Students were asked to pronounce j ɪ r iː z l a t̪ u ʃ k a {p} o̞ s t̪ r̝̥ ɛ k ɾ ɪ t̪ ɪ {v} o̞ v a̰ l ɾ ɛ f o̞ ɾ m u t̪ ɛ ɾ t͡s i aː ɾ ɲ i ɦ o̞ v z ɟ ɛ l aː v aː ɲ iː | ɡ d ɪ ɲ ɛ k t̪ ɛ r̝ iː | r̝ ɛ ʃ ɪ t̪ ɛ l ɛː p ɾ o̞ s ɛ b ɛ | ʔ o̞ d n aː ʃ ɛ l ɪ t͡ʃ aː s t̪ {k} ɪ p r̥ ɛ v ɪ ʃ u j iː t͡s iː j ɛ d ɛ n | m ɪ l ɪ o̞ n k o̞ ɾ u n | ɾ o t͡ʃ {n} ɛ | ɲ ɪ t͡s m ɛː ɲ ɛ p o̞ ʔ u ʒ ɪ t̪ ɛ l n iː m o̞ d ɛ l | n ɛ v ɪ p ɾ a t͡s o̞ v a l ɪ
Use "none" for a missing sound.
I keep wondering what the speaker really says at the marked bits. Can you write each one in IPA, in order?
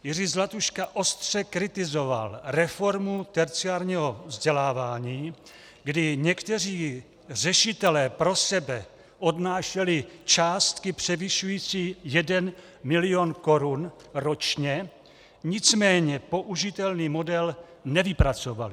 ʔ, z, k, ɲ

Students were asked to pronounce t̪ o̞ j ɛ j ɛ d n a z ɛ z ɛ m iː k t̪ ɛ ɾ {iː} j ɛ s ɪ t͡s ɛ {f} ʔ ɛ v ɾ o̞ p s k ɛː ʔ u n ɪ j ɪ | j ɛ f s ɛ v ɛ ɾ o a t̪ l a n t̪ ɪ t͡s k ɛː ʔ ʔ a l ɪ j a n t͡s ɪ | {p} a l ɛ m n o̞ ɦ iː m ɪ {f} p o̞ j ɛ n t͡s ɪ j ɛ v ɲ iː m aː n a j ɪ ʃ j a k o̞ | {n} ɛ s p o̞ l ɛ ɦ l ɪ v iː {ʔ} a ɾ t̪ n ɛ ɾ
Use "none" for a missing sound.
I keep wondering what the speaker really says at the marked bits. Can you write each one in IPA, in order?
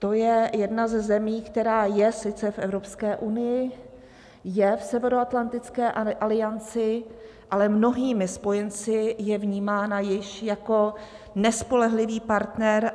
aː, f, ʔ, s, n, p

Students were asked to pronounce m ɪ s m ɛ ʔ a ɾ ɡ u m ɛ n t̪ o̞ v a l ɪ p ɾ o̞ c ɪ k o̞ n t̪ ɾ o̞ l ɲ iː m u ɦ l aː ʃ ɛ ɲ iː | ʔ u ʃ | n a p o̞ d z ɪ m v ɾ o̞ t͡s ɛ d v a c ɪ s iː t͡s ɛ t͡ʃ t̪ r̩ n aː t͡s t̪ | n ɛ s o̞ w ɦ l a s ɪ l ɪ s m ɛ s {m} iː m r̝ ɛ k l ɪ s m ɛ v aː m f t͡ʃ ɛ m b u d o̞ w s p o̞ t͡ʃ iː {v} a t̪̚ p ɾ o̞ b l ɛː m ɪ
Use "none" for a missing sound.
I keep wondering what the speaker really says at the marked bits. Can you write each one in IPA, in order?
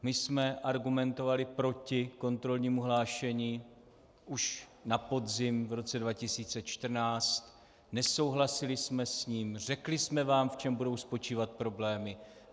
ɲ, v

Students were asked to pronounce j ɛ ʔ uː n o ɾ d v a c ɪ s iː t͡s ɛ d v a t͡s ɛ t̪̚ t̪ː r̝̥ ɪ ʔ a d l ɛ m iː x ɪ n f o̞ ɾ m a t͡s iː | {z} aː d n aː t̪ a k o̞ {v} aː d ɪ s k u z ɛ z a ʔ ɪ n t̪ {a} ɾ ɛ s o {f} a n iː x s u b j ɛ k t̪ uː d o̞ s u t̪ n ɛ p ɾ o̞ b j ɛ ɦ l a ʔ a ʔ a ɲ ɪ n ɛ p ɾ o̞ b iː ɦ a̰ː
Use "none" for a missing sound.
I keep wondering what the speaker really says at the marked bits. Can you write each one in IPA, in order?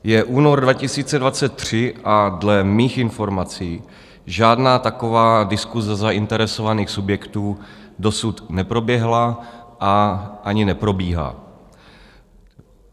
ʒ, v, ɛ, v

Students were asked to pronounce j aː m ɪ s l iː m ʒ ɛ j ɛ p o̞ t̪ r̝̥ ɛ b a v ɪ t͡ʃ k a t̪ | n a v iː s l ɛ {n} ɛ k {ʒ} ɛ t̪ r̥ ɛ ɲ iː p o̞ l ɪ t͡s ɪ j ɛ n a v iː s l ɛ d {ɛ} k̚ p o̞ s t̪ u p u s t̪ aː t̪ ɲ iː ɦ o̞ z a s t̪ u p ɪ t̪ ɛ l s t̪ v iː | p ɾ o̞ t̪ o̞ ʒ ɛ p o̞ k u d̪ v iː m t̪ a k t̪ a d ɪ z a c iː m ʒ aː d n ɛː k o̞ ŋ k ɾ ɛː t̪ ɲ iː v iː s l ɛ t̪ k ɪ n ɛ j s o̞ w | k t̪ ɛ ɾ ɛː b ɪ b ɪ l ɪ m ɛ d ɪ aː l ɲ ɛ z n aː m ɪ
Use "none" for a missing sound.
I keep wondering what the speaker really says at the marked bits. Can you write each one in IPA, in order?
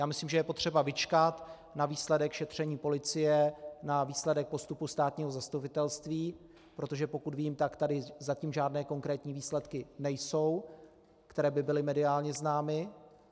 d, ʃ, ɛ

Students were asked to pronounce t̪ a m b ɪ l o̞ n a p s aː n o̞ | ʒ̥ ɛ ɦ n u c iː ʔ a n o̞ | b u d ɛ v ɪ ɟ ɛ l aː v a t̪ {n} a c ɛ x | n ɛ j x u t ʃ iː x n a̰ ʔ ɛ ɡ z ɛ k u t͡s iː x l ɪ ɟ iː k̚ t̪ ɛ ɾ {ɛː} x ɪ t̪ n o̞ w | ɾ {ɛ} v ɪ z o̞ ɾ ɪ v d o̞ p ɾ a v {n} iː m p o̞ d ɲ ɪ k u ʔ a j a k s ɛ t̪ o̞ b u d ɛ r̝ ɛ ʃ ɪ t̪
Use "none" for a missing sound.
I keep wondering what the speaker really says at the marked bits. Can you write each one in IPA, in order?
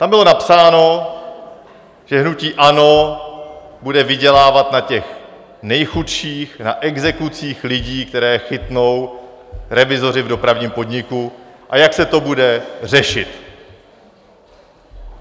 n, ɛː, ɛ, ɲ

